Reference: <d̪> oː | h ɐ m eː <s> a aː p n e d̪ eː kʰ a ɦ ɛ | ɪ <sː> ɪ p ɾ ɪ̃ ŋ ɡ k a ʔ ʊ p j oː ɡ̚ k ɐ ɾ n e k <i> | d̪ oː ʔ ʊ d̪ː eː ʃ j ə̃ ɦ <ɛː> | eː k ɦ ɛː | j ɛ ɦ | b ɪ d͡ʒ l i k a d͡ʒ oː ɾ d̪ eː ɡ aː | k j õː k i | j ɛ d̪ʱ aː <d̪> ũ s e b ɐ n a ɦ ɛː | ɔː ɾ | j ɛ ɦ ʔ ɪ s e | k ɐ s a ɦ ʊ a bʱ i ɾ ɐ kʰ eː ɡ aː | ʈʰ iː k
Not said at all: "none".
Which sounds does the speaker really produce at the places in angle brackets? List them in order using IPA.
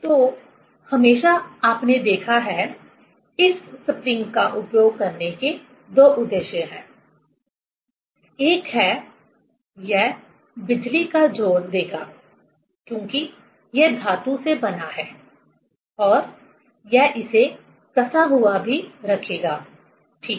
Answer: t̪, ʃ, sː, e, ɛ̃ː, t̪

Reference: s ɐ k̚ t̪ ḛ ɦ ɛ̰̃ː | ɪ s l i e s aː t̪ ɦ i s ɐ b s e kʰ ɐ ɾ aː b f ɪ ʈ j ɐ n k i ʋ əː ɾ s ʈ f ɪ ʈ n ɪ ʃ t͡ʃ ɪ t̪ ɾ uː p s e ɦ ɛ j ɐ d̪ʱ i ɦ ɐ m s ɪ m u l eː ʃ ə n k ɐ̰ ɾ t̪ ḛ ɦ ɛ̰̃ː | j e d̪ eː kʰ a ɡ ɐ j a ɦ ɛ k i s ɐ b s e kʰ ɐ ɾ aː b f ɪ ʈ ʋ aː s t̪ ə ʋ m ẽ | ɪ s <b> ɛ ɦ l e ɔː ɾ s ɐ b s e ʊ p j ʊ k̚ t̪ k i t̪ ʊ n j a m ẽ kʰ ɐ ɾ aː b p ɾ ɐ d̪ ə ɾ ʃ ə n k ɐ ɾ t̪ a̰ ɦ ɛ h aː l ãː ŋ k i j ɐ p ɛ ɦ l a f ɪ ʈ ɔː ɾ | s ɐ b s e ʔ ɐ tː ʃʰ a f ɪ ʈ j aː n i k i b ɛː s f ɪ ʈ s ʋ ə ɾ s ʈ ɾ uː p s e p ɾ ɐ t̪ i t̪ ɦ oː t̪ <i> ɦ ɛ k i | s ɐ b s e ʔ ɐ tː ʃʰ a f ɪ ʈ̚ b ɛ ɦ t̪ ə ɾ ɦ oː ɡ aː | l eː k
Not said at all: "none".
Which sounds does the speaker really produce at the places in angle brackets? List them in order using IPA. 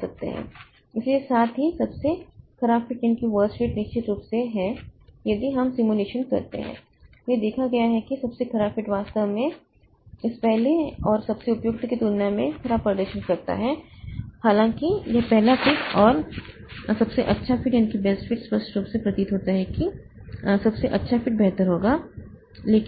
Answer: p, a

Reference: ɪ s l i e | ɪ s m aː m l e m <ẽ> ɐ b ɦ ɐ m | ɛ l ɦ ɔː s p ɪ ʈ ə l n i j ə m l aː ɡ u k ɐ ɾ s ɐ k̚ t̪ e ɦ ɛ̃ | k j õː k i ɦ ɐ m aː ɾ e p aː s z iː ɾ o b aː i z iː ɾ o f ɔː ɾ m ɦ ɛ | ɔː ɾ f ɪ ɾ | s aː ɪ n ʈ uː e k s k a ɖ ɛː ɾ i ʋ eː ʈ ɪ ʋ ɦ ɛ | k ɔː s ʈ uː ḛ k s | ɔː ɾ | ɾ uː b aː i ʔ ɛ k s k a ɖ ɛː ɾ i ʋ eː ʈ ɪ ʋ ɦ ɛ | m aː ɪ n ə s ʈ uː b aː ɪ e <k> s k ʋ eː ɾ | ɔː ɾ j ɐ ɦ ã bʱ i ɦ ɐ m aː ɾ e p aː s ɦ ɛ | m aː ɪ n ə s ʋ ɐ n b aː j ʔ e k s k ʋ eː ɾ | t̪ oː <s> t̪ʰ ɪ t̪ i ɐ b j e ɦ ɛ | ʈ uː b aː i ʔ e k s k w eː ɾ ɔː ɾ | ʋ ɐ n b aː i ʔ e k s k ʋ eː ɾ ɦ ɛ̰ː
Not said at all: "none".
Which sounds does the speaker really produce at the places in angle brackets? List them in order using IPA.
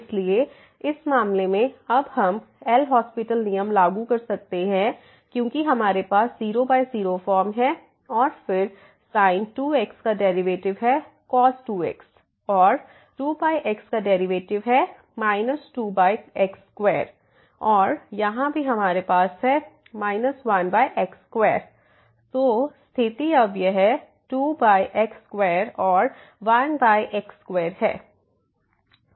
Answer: ẽ, k, s

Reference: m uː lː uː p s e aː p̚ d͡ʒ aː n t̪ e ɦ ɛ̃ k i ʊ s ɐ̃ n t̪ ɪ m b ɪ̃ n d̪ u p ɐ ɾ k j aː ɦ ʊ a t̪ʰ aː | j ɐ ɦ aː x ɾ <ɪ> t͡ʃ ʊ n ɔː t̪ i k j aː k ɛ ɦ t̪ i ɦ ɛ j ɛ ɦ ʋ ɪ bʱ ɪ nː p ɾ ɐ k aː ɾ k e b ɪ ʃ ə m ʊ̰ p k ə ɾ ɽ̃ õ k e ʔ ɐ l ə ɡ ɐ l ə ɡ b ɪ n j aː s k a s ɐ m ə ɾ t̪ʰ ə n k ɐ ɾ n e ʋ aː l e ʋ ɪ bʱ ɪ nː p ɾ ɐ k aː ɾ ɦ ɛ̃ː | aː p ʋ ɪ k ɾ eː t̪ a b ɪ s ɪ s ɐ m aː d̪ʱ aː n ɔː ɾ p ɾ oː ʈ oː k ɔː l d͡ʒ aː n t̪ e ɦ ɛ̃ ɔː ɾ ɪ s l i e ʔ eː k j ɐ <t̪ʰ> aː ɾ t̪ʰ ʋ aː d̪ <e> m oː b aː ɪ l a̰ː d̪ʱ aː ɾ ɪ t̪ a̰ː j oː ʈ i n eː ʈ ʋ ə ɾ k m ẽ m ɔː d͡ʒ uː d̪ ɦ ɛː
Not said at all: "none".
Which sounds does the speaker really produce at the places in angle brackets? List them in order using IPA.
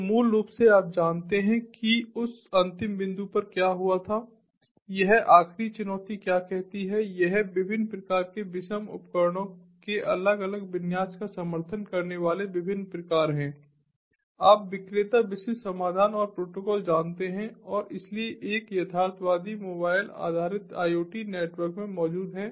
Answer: i, t̪ʰ, i

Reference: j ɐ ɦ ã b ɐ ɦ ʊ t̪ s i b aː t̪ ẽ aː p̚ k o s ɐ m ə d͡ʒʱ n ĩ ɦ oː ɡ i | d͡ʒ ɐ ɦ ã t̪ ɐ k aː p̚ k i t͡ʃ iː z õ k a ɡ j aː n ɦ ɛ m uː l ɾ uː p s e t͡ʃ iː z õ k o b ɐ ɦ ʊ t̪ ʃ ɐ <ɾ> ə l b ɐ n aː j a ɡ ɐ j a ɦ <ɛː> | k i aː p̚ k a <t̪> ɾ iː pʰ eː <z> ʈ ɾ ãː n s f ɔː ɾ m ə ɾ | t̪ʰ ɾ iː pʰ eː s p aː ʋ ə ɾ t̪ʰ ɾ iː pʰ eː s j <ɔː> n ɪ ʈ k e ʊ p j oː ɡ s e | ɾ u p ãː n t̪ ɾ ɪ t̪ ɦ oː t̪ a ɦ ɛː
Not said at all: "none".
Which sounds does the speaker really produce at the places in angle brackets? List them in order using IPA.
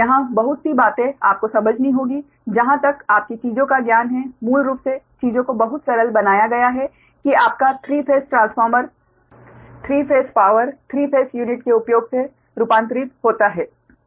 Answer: ɾ, ɛ, t̪ʰ, s, uː

